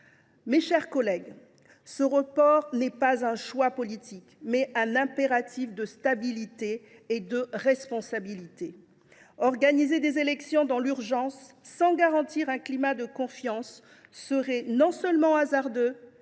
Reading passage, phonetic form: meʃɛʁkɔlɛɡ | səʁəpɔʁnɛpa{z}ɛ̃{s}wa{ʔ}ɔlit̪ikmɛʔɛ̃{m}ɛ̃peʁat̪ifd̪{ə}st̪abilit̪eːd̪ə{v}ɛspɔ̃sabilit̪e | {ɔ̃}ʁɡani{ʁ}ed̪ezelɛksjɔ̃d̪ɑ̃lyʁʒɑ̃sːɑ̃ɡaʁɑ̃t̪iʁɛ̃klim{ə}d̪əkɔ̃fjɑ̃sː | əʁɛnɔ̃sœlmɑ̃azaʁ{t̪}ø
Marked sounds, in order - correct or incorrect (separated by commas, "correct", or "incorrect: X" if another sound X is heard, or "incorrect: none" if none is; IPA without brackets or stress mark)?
correct, incorrect: ʃ, incorrect: p, incorrect: n, correct, incorrect: ʁ, incorrect: ɔ, incorrect: z, incorrect: a, incorrect: d̪